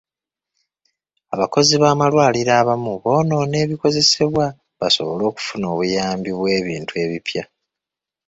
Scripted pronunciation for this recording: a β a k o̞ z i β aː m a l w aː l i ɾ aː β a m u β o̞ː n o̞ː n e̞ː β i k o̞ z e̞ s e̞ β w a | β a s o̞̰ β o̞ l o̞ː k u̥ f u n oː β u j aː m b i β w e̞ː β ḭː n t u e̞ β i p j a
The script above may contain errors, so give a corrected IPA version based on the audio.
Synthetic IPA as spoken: a β a k o̞ z i β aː m a l w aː l i ɾ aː β a m u β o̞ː n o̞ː n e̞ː β i k o̞ z e̞ s e̞ β w a | β a s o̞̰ β o̞ l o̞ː k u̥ f u n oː β u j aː m b i β w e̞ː β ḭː n t u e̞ β i p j a